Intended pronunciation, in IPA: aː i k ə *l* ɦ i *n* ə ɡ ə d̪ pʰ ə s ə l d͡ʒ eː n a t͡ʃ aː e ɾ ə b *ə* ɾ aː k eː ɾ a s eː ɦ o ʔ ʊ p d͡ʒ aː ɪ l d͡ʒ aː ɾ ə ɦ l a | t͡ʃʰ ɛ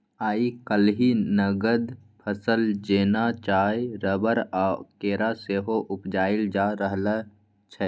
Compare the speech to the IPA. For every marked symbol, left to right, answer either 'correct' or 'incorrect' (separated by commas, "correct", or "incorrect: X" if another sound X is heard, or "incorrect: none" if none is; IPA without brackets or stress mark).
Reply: correct, correct, correct